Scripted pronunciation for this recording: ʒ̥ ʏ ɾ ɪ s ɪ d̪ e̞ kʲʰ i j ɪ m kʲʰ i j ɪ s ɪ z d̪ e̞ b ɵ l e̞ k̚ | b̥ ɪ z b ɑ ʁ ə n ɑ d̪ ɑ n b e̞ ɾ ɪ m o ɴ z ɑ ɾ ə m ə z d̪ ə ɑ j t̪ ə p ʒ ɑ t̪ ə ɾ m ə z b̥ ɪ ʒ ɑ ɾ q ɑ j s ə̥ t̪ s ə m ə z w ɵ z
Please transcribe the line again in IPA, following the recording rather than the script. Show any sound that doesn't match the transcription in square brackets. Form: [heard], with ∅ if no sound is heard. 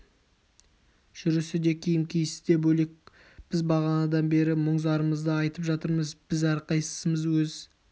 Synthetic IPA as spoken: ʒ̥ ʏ ɾ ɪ s ɪ d̪ e̞ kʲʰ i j ɪ m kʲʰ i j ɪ s ɪ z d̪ e̞ b ɵ l e̞ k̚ | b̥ ɪ z b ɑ ʁ [ɑ] n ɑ d̪ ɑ n b e̞ ɾ ɪ m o ɴ z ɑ ɾ ə m ə z d̪ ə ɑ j t̪ ə p ʒ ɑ t̪ ə ɾ m ə z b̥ ɪ [z] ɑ ɾ q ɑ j s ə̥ [∅] s ə m ə z w ɵ z